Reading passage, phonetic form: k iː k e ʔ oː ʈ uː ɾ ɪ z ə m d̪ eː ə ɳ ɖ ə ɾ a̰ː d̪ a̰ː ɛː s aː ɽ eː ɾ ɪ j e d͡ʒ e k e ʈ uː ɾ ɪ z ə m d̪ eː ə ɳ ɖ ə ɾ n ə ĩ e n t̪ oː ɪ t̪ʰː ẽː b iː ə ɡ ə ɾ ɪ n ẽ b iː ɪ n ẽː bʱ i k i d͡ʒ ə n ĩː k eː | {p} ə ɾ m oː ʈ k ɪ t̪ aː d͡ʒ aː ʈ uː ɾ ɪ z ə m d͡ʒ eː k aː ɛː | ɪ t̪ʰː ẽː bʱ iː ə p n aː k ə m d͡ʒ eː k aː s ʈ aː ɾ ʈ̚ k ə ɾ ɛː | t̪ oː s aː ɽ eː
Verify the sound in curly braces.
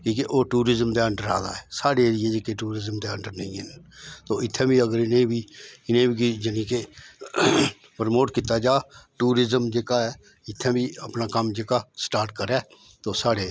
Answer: correct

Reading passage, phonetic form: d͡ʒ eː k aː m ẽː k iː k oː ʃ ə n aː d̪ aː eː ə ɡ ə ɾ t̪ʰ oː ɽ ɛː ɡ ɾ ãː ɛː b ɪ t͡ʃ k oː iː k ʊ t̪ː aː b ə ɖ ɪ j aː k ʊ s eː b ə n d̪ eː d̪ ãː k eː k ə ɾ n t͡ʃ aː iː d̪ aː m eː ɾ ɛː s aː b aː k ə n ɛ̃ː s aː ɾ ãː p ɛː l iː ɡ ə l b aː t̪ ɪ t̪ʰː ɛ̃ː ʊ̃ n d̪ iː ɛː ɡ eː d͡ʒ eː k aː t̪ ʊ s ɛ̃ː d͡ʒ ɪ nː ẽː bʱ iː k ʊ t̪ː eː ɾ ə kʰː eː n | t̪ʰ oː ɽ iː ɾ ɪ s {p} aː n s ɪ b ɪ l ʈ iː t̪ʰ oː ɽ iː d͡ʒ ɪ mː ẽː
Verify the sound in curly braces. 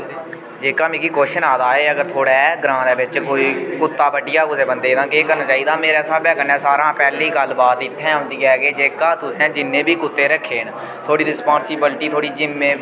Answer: correct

